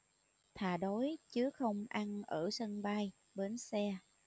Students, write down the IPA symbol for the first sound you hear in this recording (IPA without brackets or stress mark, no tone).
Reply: t̪ʰ